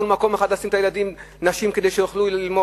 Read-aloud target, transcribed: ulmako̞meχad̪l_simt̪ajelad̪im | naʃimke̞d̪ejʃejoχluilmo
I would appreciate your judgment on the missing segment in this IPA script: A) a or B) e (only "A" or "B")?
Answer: A